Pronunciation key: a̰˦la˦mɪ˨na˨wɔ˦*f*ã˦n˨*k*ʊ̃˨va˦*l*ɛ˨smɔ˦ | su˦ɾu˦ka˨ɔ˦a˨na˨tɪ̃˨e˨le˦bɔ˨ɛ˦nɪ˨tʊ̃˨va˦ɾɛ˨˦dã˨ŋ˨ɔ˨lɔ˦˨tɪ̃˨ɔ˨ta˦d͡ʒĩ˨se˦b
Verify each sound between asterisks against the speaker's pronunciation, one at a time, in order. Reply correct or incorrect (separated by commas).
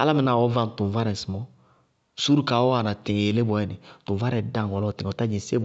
incorrect, incorrect, incorrect